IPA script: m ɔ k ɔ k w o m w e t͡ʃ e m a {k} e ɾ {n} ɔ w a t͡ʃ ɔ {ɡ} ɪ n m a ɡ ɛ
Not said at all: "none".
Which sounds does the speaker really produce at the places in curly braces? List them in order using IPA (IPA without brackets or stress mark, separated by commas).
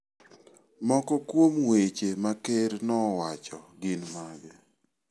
k, n, ɡ